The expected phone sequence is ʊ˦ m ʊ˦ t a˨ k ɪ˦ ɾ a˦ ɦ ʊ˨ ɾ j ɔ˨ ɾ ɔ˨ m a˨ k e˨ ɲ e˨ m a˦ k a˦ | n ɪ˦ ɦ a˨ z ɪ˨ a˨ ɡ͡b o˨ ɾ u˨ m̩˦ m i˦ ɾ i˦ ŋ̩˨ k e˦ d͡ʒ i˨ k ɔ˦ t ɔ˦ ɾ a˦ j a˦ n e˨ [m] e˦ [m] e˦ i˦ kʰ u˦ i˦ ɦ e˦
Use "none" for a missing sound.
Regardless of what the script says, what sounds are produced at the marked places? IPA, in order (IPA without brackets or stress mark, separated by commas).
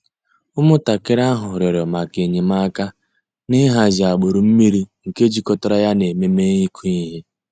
m, m